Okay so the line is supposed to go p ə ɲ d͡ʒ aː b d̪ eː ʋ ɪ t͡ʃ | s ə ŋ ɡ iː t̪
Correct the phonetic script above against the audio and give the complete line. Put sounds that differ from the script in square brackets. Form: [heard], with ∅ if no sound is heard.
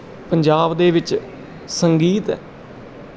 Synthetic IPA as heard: p ə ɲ d͡ʒ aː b d̪ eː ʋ ɪ t͡ʃ | s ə ŋ ɡ iː t̪